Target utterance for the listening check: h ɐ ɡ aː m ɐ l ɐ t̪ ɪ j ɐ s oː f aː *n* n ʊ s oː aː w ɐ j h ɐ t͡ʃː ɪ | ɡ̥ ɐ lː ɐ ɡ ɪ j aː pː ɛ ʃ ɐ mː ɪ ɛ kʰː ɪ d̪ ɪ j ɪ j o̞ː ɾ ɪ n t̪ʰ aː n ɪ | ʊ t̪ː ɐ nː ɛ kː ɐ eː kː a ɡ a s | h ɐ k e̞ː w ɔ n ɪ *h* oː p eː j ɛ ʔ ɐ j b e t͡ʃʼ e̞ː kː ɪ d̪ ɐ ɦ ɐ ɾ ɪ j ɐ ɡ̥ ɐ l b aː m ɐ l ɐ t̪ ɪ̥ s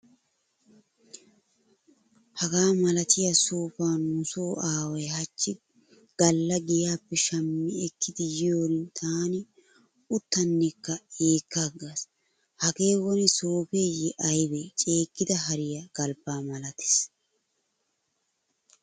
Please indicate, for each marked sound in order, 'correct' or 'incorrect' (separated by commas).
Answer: correct, incorrect